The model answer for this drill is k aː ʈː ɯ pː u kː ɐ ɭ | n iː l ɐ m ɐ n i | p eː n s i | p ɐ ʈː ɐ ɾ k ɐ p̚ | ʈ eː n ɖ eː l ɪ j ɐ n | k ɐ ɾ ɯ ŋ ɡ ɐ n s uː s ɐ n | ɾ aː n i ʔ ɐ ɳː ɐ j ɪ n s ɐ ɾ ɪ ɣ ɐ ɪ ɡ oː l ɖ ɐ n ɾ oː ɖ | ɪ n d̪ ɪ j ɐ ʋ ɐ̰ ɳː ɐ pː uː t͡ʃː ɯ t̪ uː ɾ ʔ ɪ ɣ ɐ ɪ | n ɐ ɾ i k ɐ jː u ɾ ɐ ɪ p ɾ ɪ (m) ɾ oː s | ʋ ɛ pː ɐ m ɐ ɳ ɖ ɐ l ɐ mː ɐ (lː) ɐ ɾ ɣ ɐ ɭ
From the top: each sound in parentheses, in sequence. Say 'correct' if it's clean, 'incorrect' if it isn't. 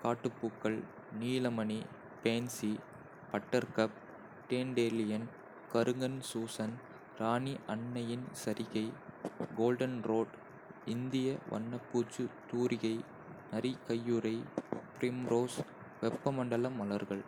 correct, incorrect

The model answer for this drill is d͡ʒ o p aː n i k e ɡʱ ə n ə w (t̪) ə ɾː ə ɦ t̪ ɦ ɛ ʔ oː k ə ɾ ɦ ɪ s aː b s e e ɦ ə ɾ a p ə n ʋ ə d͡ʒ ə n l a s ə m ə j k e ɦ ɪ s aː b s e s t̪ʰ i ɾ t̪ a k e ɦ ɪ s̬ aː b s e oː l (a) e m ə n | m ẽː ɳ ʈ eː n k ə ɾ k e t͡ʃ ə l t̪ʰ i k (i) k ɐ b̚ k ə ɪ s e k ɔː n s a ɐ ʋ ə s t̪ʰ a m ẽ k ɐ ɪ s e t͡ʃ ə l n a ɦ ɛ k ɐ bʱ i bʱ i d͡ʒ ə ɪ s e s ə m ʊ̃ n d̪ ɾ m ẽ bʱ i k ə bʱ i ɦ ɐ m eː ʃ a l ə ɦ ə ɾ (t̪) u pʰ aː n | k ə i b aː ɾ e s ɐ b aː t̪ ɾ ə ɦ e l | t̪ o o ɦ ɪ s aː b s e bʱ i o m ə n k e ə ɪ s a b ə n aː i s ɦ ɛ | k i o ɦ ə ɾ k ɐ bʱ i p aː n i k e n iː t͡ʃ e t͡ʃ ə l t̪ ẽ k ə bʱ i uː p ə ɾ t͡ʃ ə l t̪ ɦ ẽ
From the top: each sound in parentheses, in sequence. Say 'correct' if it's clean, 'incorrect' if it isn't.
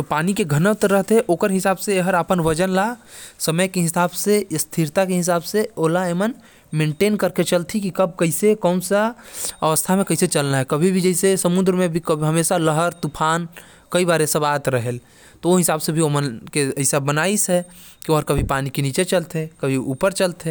correct, correct, correct, correct

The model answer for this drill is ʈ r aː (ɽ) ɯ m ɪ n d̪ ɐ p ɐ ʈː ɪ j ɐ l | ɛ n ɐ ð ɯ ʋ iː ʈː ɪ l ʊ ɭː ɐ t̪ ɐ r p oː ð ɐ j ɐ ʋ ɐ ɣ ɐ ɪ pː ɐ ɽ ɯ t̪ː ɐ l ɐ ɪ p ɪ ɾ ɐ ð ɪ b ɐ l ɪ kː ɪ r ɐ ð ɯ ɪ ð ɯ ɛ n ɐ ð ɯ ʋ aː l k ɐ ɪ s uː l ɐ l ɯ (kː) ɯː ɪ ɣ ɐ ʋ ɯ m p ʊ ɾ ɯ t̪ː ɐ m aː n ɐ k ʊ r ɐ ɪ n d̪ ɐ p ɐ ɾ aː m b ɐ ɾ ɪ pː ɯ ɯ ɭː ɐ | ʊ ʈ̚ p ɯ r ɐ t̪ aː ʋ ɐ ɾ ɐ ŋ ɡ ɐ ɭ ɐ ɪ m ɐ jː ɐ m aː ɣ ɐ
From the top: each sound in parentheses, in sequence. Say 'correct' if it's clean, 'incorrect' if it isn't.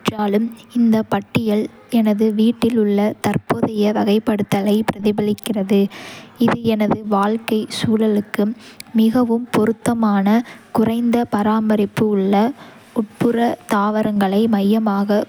incorrect, correct

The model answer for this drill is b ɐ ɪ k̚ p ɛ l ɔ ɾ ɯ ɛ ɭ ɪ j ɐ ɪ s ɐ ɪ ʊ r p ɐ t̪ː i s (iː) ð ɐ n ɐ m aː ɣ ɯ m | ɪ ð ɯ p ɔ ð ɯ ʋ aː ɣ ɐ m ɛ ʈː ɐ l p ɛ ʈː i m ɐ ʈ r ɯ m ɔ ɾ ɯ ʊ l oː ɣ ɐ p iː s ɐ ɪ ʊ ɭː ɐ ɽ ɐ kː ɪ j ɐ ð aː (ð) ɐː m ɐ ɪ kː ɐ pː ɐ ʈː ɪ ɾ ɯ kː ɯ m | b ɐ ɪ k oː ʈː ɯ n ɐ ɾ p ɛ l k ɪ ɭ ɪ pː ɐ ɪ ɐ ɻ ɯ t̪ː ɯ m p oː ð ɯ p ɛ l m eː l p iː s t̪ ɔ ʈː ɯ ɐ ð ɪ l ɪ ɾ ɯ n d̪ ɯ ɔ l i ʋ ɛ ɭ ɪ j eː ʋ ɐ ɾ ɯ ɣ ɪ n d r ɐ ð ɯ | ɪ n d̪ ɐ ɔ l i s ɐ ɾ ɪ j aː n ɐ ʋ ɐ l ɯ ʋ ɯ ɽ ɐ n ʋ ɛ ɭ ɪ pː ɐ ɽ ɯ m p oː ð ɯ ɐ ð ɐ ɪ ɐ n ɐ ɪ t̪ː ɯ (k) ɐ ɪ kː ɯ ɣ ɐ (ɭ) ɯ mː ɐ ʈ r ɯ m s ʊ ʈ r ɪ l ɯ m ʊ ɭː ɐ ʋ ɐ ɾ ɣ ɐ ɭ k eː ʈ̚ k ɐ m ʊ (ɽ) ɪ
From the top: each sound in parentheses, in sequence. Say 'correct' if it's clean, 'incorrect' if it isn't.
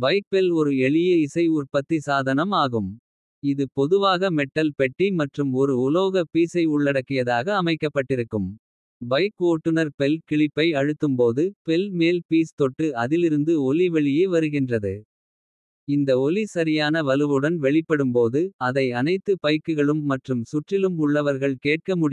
incorrect, incorrect, incorrect, correct, correct

